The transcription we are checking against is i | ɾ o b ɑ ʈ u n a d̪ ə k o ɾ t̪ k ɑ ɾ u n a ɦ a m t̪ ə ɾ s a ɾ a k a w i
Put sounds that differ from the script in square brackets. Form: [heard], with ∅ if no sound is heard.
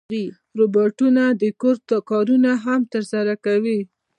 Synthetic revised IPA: i | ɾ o b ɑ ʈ u n a d̪ ə k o ɾ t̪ k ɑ ɾ u n a ɦ a m t̪ ə ɾ s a ɾ a k a w i